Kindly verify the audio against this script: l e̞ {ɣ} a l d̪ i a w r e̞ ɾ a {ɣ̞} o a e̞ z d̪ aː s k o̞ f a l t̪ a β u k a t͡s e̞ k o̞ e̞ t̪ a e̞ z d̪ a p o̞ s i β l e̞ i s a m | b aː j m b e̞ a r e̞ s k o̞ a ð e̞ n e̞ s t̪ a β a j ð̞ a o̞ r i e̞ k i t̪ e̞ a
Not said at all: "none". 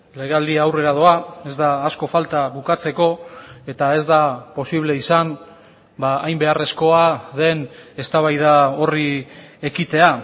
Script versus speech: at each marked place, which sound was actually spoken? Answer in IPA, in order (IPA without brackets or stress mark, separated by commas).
ɣ, ð̞